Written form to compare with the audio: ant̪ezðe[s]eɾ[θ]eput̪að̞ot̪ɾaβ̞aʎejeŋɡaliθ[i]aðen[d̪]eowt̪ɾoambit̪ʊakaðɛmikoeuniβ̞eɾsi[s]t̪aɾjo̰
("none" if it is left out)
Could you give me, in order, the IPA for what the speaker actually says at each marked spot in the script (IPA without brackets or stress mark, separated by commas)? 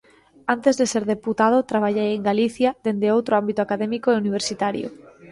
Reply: s, ð, j, d̪, none